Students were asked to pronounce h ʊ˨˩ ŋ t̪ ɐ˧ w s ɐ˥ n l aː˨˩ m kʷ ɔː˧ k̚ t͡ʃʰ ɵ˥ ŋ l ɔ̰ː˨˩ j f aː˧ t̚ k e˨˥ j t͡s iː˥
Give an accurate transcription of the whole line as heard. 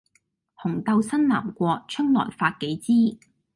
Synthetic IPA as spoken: h ʊ˨˩ ŋ t̪ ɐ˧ w s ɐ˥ n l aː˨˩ m kʷ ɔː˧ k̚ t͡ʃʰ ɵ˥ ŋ l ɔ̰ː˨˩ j f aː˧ t̚ k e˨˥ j t͡s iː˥